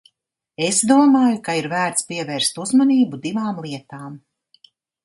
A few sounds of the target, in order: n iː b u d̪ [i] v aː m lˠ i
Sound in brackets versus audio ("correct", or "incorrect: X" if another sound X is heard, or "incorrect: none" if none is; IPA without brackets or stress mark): correct